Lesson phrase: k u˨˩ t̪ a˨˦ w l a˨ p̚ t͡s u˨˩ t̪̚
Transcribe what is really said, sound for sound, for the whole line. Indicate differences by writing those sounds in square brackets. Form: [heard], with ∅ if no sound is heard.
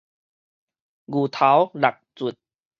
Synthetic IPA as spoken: [ɡ] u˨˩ [t̪ʰ] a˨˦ w l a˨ [k̚] t͡s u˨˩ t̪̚